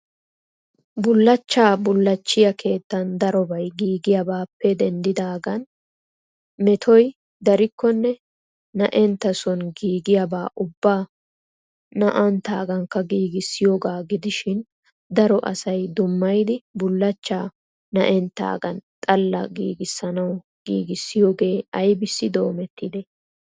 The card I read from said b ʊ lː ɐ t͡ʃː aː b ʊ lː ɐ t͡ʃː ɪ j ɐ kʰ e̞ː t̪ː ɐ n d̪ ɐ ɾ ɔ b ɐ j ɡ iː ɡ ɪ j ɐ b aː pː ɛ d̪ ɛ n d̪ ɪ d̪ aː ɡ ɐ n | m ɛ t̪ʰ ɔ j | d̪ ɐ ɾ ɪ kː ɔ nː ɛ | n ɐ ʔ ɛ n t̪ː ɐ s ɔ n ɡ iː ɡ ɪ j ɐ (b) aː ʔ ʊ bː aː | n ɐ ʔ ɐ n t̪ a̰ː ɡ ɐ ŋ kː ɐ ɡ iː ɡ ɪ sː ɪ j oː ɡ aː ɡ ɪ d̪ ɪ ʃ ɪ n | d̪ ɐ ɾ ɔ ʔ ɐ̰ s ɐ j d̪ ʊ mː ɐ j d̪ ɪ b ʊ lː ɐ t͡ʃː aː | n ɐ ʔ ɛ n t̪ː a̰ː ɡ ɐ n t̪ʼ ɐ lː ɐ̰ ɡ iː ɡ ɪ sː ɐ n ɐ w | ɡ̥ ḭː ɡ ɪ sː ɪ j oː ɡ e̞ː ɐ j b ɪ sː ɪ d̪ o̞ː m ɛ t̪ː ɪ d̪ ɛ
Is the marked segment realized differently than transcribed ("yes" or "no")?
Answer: no